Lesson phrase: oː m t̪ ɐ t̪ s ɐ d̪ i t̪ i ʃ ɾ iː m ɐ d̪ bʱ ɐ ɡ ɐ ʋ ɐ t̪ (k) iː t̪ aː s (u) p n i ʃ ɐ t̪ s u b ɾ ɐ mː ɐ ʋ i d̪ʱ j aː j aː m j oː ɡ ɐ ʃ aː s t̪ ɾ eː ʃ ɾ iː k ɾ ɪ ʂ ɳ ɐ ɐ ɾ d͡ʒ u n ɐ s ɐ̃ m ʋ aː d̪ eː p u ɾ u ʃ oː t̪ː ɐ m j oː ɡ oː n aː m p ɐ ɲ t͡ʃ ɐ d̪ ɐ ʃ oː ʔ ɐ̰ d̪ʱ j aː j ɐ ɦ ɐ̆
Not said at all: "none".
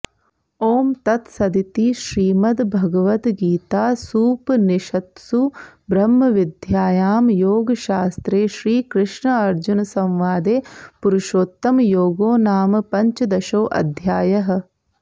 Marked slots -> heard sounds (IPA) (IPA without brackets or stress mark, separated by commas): ɡ, uː